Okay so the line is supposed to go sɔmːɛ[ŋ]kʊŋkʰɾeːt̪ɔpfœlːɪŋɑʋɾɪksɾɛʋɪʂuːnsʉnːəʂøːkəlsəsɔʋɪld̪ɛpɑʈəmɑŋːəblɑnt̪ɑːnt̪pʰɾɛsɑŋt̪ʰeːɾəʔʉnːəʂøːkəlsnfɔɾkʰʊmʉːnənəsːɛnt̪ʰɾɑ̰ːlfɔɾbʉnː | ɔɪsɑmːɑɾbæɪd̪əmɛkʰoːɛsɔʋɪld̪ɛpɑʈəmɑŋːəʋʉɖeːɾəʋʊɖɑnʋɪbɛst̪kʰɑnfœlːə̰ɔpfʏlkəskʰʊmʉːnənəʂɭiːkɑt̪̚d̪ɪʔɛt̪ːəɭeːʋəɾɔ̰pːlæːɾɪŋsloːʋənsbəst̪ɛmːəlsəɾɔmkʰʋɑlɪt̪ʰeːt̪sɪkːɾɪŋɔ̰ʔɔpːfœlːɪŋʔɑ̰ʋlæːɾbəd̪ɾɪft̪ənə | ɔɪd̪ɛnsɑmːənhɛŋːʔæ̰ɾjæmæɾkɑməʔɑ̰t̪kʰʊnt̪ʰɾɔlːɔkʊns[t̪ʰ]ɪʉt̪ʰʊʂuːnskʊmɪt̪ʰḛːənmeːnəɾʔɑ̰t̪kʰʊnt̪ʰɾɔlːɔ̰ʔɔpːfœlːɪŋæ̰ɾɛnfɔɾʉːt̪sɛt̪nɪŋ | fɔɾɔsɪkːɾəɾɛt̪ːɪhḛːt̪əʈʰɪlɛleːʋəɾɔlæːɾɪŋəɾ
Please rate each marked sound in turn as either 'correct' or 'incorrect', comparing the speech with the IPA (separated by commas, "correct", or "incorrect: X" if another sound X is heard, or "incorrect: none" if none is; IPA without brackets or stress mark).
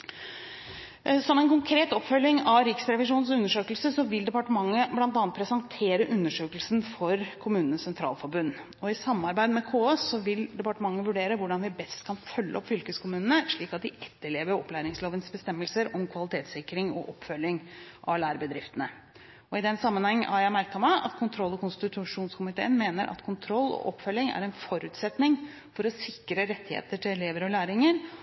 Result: incorrect: n, incorrect: t̪